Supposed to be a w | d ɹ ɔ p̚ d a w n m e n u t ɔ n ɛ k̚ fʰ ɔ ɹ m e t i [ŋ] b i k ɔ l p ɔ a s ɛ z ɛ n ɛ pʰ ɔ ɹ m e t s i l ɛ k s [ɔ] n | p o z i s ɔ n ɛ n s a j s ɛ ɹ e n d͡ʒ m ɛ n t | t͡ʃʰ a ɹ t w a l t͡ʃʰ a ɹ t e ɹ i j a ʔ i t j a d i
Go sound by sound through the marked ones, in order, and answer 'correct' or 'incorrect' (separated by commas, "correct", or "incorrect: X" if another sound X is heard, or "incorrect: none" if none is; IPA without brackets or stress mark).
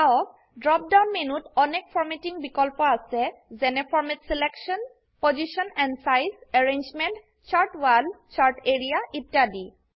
correct, correct